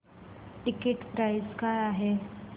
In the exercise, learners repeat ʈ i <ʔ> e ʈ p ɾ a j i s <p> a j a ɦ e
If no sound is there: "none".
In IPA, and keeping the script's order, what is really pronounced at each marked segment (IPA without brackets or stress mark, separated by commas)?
k, k